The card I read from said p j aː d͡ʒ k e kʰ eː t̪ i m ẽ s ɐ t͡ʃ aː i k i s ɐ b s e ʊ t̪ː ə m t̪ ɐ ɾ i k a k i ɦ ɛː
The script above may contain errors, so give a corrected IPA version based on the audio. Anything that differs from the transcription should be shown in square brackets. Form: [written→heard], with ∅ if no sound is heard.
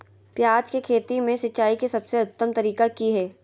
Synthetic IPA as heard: p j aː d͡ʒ k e kʰ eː t̪ i m ẽ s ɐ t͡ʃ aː i k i s ɐ b s e ʊ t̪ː ə m t̪ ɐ ɾ [i→iː] k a k i ɦ ɛː